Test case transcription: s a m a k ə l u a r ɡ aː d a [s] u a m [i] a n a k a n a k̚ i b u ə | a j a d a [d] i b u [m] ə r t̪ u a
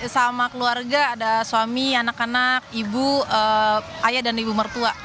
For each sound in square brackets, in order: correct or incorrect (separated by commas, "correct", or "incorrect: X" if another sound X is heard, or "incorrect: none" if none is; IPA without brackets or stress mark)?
correct, correct, incorrect: n, correct